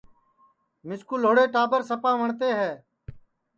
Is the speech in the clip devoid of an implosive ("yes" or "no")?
yes